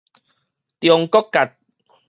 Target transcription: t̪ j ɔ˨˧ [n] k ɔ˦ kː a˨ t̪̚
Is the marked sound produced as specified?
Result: no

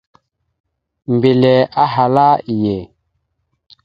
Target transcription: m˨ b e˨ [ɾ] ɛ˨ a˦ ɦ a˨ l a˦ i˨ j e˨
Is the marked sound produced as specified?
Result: no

